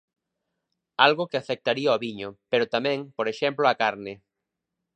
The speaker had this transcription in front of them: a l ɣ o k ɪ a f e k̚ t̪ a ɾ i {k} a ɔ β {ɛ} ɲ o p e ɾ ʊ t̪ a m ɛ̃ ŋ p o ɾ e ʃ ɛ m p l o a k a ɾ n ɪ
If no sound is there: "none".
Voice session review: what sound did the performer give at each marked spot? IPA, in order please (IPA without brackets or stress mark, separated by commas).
none, i